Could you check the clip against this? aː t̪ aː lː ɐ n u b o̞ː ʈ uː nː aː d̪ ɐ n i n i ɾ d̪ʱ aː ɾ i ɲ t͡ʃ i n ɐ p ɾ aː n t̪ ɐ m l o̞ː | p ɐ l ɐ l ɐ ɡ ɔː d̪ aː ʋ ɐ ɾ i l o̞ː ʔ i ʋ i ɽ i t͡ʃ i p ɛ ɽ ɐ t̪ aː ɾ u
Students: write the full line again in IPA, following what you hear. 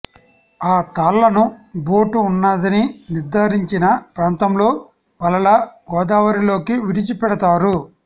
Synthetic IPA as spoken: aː t̪ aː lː ɐ n u b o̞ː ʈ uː nː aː d̪ ɐ n i n i ɾ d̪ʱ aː ɾ i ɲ t͡ʃ i n ɐ p ɾ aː n t̪ ɐ m l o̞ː | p ɐ l ɐ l ɐ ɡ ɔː d̪ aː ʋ ɐ ɾ i l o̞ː k i ʋ i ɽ i t͡ʃ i p ɛ ɽ ɐ t̪ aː ɾ u